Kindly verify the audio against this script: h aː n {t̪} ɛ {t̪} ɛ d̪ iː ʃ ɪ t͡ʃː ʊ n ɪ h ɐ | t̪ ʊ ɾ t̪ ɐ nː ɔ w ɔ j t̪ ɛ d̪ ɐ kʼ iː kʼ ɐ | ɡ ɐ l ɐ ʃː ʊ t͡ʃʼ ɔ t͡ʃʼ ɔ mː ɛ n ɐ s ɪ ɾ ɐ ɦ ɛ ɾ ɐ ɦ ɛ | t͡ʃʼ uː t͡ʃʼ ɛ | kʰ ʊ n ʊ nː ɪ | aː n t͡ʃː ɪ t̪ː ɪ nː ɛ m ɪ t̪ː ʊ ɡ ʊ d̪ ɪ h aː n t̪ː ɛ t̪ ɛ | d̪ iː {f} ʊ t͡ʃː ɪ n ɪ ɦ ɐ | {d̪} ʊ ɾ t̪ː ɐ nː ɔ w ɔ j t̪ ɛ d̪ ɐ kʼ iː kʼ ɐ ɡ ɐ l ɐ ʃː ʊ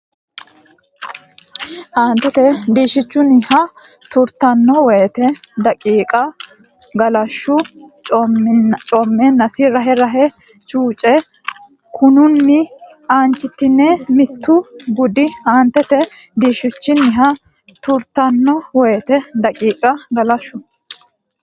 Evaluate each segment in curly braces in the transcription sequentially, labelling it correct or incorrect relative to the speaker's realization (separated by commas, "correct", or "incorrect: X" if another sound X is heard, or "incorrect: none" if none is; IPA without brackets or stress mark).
correct, correct, incorrect: ʃ, incorrect: t̪